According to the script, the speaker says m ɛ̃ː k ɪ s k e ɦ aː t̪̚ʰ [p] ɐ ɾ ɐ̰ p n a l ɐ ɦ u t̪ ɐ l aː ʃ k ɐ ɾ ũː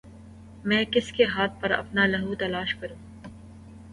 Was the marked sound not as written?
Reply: no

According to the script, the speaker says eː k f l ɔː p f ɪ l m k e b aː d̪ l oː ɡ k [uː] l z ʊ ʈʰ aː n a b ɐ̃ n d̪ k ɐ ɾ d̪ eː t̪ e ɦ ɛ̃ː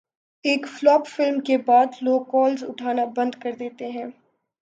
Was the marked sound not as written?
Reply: yes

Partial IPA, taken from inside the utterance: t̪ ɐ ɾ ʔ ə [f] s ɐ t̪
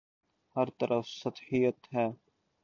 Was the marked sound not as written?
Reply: no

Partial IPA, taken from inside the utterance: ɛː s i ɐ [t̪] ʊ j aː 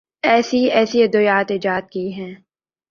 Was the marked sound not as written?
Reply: yes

